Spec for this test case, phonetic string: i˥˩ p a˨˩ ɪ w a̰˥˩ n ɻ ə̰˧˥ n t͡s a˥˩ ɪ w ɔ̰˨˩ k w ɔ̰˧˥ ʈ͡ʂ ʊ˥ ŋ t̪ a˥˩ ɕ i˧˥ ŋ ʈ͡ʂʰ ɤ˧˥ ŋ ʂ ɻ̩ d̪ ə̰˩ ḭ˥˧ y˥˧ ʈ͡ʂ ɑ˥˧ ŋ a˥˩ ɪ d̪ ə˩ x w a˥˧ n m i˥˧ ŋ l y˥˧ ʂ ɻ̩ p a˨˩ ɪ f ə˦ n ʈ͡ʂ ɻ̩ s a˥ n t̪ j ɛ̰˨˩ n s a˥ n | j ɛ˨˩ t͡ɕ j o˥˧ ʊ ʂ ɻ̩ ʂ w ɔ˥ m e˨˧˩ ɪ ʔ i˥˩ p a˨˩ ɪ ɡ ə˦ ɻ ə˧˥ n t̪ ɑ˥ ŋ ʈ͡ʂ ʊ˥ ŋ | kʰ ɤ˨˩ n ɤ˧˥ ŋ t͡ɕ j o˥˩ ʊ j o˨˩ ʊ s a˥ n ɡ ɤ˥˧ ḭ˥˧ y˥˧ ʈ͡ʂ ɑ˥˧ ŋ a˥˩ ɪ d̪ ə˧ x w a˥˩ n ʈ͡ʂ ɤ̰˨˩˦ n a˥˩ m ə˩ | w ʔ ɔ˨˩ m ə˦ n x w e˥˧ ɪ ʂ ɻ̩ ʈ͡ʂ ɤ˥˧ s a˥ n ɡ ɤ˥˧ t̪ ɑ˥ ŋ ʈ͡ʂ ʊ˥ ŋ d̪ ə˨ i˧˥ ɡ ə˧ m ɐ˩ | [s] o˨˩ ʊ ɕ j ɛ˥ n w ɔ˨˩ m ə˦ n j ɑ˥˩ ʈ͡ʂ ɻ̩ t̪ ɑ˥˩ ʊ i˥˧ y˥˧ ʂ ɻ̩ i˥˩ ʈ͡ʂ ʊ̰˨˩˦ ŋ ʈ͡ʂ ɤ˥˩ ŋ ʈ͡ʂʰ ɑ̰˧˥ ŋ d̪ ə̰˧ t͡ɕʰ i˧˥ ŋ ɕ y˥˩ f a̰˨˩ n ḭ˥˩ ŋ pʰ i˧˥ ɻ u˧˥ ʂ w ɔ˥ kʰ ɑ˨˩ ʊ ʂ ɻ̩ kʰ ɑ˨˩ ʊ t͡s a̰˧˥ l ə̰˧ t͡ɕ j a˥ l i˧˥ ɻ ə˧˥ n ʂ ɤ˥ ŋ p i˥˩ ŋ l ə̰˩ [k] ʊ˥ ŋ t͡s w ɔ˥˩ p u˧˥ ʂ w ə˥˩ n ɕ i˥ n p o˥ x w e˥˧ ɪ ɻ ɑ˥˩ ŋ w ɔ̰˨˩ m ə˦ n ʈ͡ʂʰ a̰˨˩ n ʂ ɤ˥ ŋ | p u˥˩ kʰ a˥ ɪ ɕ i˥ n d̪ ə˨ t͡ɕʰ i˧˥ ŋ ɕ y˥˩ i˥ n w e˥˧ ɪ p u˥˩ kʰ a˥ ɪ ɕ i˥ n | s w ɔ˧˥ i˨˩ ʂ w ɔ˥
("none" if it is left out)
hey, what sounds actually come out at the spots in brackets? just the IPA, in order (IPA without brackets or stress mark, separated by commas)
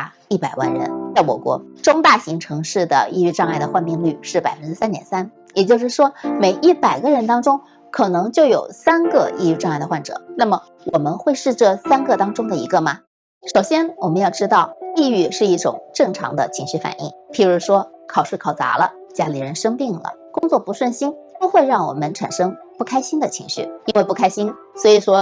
ʂ, k